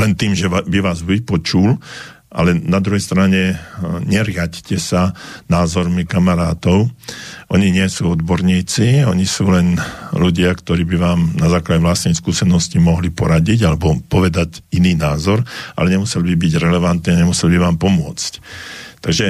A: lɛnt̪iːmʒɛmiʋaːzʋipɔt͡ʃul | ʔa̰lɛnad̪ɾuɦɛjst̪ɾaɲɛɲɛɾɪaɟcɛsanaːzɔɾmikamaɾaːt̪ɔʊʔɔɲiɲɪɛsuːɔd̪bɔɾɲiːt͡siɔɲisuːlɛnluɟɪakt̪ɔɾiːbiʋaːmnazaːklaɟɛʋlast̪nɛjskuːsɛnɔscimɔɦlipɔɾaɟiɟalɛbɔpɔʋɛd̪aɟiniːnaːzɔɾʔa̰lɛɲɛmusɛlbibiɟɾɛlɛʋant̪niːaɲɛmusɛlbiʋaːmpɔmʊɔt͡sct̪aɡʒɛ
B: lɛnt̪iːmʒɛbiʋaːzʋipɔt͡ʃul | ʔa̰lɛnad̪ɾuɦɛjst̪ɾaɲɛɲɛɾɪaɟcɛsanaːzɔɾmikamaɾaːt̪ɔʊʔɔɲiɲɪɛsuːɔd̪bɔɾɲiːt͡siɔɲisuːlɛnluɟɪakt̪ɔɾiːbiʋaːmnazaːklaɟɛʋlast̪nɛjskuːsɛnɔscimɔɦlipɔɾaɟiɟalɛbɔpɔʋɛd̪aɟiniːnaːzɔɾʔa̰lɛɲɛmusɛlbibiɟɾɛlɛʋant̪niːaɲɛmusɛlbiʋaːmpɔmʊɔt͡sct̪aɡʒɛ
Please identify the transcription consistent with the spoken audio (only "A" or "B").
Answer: B